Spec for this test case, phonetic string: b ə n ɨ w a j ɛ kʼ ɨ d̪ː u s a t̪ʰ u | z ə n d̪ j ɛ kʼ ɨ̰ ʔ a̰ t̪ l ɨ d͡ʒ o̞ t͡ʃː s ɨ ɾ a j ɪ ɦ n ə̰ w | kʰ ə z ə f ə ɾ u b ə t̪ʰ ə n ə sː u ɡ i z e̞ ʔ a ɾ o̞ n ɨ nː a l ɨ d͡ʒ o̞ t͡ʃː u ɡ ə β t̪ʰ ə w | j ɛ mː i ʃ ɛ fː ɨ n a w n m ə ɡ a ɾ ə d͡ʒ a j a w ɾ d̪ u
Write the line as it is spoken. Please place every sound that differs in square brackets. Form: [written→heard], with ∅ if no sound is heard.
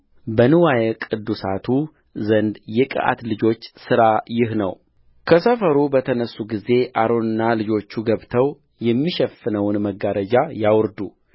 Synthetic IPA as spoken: b ə n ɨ w a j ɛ kʼ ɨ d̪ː u s a t̪ʰ u | z ə n d̪ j ɛ kʼ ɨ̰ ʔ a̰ t̪ l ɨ d͡ʒ o̞ t͡ʃː s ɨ ɾ a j ɪ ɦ n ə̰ w | kʰ ə [z→s] ə f ə ɾ u b ə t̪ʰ ə n ə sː u ɡ i z e̞ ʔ a ɾ o̞ n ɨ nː a l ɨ d͡ʒ o̞ t͡ʃː u ɡ ə β t̪ʰ ə w | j ɛ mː i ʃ ɛ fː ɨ n [a→ə] w n m ə ɡ a ɾ ə d͡ʒ a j a w ɾ d̪ u